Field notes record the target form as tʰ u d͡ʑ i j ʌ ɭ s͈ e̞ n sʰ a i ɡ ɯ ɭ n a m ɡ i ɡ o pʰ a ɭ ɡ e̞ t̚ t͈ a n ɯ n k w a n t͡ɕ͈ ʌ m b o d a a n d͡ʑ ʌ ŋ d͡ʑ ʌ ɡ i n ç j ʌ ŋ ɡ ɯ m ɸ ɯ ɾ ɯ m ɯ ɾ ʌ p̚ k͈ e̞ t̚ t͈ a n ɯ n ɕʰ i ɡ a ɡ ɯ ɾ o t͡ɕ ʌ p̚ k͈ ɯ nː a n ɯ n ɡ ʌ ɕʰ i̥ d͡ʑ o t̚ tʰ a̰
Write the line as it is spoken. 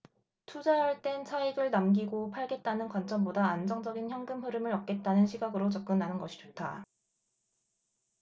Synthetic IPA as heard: tʰ u d͡ʑ a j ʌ ɭ t͈ e̞ n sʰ a i ɡ ɯ ɭ n a m ɡ i ɡ o pʰ a ɭ ɡ e̞ t̚ t͈ a n ɯ n k w a n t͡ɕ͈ ʌ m b o d a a n d͡ʑ ʌ ŋ d͡ʑ ʌ ɡ i n ç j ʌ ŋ ɡ ɯ m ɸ ɯ ɾ ɯ m ɯ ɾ ʌ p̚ k͈ e̞ t̚ t͈ a n ɯ n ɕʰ i ɡ a ɡ ɯ ɾ o t͡ɕ ʌ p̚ k͈ ɯ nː a n ɯ n ɡ ʌ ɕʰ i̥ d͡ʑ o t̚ tʰ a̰